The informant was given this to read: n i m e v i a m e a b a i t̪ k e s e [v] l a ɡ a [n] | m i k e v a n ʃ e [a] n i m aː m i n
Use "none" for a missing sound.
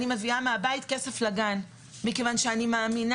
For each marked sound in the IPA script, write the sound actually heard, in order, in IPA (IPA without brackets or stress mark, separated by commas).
f, n, a